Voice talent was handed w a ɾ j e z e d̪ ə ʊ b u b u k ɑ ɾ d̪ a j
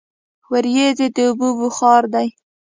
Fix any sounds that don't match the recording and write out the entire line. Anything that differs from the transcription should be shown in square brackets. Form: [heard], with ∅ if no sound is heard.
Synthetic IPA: w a ɾ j e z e d̪ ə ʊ b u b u [x] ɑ ɾ d̪ a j